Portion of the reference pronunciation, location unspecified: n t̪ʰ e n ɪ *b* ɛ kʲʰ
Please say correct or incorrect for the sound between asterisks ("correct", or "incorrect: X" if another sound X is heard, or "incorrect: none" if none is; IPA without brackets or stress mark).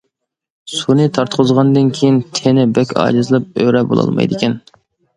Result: correct